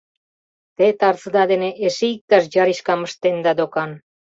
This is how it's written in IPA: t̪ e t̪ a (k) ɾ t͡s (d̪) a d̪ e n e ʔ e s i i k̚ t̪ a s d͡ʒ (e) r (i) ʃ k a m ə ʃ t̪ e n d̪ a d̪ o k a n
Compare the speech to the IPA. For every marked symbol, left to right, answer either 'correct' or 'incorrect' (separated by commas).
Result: incorrect, correct, incorrect, correct